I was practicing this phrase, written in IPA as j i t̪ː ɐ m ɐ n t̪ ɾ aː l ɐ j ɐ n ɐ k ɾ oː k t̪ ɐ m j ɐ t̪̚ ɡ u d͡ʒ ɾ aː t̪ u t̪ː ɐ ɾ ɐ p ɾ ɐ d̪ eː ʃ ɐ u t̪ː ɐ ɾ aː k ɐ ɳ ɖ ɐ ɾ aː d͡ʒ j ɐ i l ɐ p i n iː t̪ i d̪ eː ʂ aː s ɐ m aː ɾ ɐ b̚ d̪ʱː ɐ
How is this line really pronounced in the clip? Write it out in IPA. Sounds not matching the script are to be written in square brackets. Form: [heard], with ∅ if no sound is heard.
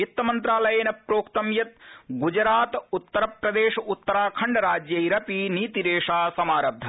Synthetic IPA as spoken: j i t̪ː ɐ m ɐ n t̪ ɾ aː l ɐ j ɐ n ɐ [p] ɾ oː k t̪ ɐ m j ɐ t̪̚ ɡ u d͡ʒ ɾ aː t̪ u t̪ː ɐ ɾ ɐ p ɾ ɐ d̪ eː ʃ ɐ u t̪ː ɐ ɾ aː [kʰ] ɐ ɳ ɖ ɐ ɾ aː d͡ʒ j ɐ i [ɾ] ɐ p i n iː t̪ i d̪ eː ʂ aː s ɐ m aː ɾ ɐ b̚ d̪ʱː ɐ